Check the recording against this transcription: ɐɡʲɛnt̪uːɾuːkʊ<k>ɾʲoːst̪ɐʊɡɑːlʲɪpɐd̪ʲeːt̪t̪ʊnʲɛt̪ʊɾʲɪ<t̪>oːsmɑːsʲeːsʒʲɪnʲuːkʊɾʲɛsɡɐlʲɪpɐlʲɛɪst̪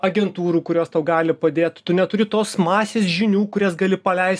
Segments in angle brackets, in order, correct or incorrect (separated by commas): incorrect, correct